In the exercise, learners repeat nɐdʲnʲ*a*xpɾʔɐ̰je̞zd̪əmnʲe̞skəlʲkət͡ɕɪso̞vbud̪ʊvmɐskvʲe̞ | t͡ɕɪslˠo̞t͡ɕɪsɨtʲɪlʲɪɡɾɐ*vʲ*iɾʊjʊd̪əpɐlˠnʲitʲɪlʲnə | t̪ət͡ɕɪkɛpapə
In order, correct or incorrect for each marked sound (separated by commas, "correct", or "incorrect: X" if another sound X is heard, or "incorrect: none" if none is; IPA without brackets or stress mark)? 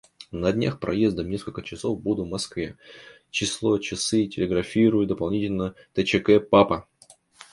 correct, incorrect: fʲ